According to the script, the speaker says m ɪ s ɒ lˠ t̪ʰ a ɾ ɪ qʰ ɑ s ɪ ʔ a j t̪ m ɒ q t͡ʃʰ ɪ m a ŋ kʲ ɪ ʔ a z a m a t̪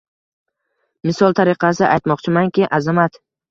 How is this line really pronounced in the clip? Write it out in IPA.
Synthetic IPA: m ɪ s ɒ lˠ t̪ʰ a ɾ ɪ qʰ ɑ s ɪ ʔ a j t̪ m ɒ q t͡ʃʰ ɪ m a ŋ kʲ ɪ ʔ a z a m a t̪